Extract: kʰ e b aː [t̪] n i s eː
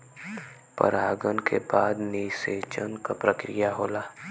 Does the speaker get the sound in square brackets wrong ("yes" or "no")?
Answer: yes